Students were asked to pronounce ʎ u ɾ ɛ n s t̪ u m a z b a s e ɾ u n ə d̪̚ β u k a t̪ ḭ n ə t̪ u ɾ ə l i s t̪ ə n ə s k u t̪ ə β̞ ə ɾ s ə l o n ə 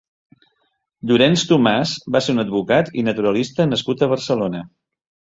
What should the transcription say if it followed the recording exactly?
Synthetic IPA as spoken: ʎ u ɾ ɛ n s t̪ u m a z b a s e ɾ u n ə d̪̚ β u k a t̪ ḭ n ə t̪ u ɾ ə l i s t̪ ə n ə s k u t̪ ə β̞ ə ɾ s ə l o n ə